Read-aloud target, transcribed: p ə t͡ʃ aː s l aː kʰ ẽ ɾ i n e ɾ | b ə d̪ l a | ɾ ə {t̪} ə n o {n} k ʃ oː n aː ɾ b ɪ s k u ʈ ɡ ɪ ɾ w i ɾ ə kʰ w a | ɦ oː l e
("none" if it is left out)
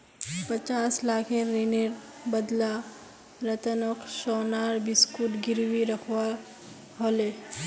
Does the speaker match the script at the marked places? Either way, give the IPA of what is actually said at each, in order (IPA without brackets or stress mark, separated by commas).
t̪, none